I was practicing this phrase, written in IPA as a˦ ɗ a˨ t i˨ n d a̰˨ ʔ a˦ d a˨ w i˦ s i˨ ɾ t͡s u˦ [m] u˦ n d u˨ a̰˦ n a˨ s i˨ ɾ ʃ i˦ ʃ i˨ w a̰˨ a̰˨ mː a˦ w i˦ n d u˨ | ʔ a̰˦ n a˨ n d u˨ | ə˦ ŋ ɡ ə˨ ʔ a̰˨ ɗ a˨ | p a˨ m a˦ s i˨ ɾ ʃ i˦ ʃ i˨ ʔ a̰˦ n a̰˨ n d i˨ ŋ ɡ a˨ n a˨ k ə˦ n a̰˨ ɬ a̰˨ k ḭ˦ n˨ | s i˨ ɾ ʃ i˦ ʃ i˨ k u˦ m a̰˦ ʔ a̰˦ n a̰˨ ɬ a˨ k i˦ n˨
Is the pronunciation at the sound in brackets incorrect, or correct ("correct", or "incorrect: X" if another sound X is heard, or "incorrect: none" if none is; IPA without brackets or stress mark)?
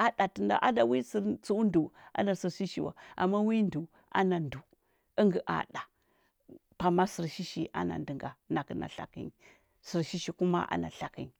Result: incorrect: none